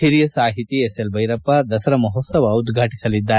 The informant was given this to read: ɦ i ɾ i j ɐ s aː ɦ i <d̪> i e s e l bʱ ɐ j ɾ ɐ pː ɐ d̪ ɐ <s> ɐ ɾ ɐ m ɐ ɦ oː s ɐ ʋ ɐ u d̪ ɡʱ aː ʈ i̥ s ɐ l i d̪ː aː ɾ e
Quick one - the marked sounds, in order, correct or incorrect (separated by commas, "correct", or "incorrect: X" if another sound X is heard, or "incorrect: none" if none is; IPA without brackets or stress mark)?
incorrect: t̪, correct